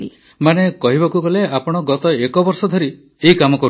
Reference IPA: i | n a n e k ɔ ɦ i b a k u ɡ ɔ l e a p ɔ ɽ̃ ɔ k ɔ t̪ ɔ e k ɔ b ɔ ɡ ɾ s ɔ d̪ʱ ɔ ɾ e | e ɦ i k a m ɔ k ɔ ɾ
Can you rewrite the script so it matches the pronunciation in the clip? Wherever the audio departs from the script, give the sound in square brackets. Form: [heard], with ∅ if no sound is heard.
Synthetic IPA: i | [m] a n e k ɔ ɦ i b a k u ɡ ɔ l e a p ɔ ɽ̃ ɔ [ɡ] ɔ t̪ ɔ e k ɔ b ɔ [∅] ɾ s ɔ d̪ʱ ɔ ɾ [i] | e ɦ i k a m ɔ k ɔ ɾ